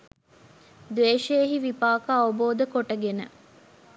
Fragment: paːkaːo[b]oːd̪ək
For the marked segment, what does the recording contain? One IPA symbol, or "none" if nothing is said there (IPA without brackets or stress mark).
b